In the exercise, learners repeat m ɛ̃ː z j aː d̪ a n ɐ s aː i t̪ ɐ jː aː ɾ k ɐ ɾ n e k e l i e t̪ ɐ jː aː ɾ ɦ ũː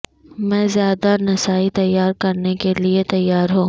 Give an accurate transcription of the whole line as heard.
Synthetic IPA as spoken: m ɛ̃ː z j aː d̪ a n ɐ s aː i t̪ ɐ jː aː ɾ k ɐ ɾ n e k e l i e t̪ ɐ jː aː ɾ ɦ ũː